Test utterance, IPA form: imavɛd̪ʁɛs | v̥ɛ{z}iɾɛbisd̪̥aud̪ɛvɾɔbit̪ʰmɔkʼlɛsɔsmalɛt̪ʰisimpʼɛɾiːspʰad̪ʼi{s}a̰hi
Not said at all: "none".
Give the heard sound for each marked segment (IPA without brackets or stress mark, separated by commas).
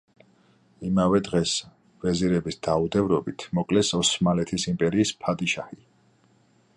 z, ʃ